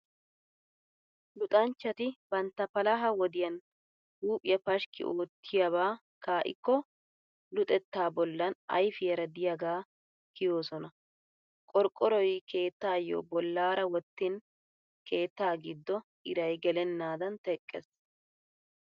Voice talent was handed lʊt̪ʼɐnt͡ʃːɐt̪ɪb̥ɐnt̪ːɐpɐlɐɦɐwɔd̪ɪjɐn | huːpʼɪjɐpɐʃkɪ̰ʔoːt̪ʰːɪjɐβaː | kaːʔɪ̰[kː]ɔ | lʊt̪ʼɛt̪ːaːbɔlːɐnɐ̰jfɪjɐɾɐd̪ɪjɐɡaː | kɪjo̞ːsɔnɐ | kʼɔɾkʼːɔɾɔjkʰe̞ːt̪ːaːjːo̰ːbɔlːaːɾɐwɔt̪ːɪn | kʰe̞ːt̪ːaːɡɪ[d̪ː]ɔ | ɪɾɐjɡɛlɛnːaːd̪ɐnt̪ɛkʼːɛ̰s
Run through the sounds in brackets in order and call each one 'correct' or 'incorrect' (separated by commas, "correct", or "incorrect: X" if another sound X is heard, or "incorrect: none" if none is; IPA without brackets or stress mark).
correct, correct